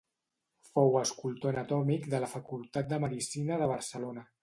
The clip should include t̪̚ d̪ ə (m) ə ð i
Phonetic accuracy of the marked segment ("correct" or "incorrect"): correct